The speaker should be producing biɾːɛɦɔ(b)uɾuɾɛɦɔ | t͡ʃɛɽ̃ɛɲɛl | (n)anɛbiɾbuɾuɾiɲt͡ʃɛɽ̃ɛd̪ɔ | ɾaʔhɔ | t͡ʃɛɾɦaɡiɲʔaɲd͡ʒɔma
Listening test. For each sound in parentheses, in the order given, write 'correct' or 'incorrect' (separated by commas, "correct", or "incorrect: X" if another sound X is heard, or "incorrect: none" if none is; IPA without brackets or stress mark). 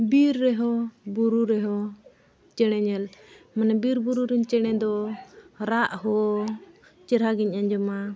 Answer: correct, incorrect: m